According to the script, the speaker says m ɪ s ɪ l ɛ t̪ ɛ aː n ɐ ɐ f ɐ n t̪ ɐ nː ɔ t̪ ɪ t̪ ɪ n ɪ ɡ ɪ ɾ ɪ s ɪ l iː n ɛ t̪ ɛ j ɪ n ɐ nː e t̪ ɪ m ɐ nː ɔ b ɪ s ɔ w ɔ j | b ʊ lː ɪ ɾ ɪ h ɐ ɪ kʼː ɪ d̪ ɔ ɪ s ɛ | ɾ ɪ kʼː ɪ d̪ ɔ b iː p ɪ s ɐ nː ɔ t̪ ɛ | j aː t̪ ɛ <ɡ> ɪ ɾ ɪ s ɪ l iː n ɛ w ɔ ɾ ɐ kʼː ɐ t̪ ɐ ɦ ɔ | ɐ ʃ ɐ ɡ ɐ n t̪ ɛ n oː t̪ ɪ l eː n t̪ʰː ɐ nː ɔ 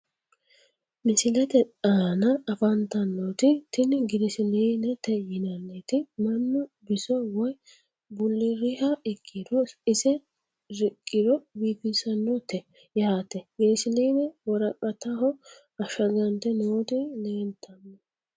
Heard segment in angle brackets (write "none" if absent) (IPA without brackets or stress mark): ɡ